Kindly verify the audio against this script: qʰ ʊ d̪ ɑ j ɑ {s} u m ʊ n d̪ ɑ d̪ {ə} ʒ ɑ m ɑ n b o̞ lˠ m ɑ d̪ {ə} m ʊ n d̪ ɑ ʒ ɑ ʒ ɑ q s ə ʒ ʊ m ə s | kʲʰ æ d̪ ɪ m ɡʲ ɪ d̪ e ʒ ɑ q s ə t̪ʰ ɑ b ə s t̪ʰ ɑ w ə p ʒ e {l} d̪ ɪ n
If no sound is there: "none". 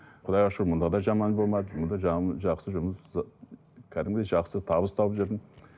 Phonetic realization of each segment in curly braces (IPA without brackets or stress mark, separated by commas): ʃ, ɑ, ə, ɾ